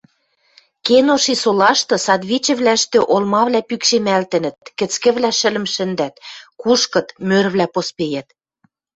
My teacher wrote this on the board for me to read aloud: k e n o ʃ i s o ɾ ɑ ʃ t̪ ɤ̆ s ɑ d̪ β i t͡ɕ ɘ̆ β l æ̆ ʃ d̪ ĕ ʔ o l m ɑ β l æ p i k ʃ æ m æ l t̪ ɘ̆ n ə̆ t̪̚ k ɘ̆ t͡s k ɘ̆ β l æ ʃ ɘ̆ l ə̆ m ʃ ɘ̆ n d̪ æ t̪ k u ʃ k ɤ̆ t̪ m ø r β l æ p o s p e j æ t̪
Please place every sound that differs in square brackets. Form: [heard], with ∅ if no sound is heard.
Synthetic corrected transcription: k e n o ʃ i s o [l] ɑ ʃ t̪ ɤ̆ s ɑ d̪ β i t͡ɕ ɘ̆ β l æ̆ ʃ [t̪] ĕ ʔ o l m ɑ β l æ p [y] k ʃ [e] m æ l t̪ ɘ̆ n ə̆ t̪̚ k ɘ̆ t͡s k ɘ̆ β l æ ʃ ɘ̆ l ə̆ m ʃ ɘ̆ n d̪ æ t̪ k u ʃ k ɤ̆ t̪ m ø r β l æ p o s p e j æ t̪